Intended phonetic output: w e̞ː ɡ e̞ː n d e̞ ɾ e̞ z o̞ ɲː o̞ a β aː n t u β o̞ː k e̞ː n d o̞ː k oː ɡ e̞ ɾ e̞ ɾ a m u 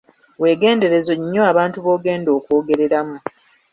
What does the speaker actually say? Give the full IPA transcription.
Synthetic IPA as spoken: w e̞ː ɡ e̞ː n d e̞ ɾ e̞ z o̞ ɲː o̞ a β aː n t u β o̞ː ɡ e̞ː n d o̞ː k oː ɡ e̞ ɾ e̞ ɾ a m u